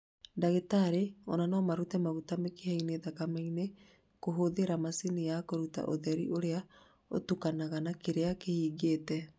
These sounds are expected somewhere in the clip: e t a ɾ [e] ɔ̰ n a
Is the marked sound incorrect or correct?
correct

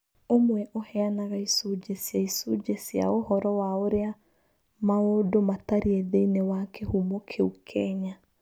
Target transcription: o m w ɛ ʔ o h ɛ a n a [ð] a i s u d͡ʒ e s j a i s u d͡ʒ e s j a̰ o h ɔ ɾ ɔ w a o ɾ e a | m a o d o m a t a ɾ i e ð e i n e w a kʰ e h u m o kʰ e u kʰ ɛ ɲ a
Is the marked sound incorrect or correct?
incorrect: ɣ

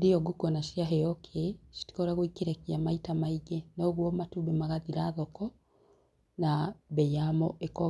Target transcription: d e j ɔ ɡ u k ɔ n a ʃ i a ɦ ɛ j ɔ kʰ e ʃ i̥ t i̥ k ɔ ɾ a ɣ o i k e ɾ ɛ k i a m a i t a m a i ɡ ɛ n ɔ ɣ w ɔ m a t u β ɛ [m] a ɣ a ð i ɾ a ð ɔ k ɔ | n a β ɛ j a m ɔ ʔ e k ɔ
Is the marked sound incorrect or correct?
correct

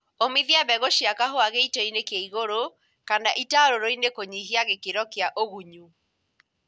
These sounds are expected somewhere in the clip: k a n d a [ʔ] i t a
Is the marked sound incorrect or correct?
correct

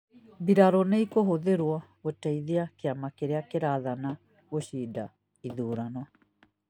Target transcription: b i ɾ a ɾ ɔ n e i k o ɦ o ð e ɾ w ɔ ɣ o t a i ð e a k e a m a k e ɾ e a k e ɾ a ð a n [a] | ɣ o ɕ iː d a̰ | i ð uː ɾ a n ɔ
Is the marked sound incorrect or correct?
correct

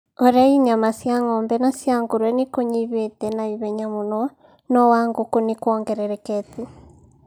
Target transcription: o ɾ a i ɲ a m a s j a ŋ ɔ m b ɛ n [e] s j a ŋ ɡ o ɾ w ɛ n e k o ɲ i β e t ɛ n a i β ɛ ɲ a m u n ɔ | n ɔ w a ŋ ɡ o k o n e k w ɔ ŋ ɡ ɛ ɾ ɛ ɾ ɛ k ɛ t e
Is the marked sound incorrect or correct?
incorrect: a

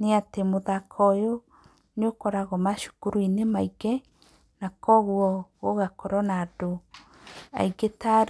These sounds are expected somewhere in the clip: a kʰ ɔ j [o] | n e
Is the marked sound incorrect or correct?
correct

